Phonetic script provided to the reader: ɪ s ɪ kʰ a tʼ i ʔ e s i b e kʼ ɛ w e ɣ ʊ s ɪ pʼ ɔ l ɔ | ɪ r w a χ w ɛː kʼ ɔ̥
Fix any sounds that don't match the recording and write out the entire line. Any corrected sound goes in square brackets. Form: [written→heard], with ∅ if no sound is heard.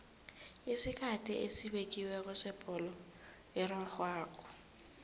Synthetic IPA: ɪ s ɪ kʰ a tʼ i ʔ e s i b e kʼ [ɛ→i] w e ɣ ʊ s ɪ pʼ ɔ l ɔ | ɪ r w a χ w [ɛː→aː] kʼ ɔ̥